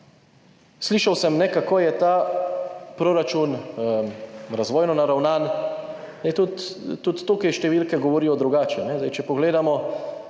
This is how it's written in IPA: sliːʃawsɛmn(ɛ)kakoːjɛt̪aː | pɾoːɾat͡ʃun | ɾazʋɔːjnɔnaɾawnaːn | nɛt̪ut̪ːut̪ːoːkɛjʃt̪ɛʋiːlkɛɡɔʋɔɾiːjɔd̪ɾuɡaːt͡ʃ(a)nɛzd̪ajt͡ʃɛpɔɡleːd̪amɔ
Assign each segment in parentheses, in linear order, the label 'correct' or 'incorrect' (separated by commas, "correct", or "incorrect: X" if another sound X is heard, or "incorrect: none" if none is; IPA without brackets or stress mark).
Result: correct, incorrect: ɛ